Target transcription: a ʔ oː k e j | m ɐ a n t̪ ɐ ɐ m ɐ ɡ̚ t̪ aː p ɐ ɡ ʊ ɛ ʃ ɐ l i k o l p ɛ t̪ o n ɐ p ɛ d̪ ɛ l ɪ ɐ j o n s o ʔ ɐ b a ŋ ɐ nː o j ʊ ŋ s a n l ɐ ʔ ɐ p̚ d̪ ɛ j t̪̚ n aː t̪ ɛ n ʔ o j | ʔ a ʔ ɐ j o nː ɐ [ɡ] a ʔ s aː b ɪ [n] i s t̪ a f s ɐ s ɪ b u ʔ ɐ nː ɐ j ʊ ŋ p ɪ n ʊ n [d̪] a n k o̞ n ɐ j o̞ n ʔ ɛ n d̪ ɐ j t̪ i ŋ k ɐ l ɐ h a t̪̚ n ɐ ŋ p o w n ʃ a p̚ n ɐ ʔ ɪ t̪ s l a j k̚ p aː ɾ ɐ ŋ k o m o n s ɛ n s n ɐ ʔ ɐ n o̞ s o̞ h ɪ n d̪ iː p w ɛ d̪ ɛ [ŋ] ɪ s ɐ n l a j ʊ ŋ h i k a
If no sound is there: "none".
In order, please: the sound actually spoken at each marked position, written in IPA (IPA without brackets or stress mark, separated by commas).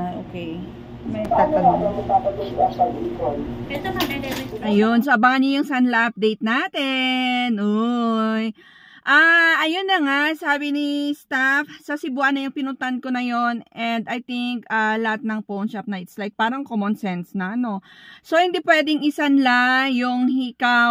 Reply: ŋ, n, t̪, ŋ